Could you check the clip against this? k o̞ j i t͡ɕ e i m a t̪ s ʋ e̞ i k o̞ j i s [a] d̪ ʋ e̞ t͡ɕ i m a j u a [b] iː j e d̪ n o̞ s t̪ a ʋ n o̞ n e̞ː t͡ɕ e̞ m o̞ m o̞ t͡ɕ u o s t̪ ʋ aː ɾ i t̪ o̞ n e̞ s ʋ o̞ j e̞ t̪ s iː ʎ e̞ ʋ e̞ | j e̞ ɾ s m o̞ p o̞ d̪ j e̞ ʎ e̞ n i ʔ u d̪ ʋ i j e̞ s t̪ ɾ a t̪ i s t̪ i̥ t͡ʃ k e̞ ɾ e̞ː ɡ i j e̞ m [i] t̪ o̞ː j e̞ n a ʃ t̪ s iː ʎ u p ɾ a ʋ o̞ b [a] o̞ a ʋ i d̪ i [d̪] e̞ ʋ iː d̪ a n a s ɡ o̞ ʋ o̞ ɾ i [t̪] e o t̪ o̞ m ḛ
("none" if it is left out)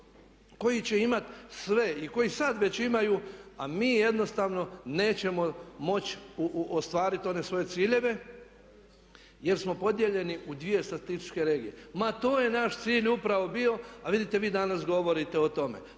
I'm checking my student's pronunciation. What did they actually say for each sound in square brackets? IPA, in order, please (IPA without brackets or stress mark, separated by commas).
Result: a, m, a, i, t̪, t̪